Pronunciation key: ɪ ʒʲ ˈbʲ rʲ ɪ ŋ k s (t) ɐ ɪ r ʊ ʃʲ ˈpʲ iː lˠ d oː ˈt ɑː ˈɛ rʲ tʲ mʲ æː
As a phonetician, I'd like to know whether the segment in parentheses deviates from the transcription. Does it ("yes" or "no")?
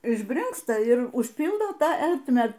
no